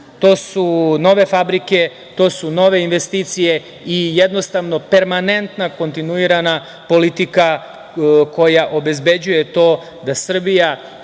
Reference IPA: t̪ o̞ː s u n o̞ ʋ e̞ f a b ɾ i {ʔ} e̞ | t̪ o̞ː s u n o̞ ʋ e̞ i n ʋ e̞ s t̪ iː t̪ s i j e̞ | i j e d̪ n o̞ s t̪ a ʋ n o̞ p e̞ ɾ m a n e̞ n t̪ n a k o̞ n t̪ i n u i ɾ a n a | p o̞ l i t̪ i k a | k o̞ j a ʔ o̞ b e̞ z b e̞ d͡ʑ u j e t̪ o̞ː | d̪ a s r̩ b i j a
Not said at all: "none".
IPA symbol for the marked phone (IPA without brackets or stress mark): k